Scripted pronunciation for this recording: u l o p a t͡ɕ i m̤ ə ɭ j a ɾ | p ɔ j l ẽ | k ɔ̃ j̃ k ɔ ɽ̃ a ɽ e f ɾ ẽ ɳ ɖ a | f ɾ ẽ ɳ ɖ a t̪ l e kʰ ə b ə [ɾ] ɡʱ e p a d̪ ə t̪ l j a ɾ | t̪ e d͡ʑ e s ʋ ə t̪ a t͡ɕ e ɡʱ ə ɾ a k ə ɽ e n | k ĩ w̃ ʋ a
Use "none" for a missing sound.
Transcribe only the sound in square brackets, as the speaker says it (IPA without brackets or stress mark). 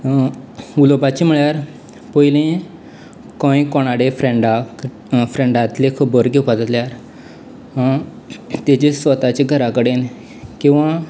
ɾ